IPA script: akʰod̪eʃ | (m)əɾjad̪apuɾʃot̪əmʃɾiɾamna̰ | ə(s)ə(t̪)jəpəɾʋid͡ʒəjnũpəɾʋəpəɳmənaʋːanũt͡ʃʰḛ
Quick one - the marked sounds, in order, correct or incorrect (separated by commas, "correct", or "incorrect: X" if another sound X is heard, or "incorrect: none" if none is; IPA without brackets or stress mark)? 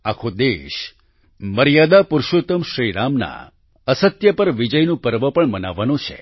correct, correct, correct